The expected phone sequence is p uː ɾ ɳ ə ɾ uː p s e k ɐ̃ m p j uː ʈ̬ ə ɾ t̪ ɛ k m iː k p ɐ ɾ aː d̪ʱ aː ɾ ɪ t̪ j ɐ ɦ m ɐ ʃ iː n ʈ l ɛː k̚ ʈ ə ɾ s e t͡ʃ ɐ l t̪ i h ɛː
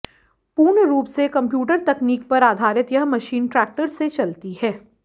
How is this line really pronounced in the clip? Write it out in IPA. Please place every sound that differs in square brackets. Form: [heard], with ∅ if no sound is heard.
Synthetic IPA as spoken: p uː ɾ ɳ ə ɾ uː p s e k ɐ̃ m p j uː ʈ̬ ə ɾ t̪ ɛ k [n] iː k p ɐ ɾ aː d̪ʱ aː ɾ ɪ t̪ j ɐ ɦ m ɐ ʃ iː n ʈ [ɾ] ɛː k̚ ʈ ə ɾ s e t͡ʃ ɐ l t̪ i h ɛː